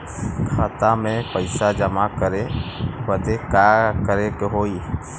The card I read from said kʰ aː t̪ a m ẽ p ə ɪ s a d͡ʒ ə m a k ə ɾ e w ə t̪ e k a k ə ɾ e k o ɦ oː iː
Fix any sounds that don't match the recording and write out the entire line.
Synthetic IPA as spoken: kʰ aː t̪ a m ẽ p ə ɪ s a d͡ʒ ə m a k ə ɾ e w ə d̪ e k a k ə ɾ e k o ɦ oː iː